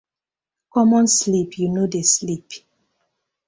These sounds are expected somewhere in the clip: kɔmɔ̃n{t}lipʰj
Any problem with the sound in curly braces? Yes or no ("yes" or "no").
yes